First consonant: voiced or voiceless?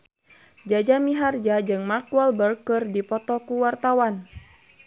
voiced